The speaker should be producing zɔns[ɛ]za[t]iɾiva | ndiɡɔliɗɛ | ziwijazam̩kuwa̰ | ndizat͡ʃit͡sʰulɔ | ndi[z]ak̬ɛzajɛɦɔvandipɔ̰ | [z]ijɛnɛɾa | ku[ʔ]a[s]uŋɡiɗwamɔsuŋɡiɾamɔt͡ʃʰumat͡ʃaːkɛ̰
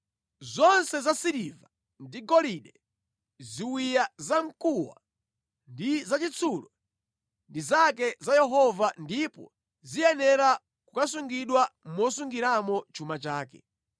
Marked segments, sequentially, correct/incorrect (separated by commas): correct, incorrect, correct, correct, incorrect, correct